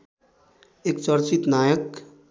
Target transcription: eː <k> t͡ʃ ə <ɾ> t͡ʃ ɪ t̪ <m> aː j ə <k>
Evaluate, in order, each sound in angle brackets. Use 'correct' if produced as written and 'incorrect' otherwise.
correct, correct, incorrect: n, correct

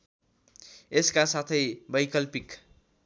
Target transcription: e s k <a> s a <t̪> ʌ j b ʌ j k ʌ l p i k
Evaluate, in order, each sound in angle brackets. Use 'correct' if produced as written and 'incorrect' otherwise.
correct, incorrect: t̪ʰ

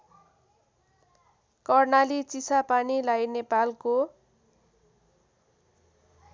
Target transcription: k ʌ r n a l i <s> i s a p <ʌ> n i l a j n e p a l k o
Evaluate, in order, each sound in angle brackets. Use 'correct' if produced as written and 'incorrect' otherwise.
incorrect: t͡s, incorrect: a

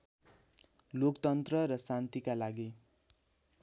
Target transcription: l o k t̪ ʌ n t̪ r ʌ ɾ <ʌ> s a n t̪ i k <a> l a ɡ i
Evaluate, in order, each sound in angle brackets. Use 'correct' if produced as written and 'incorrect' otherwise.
correct, correct

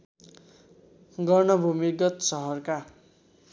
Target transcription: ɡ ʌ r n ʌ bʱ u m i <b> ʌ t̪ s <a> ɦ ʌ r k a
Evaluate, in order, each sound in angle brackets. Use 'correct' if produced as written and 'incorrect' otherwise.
incorrect: ɡ, incorrect: ʌ

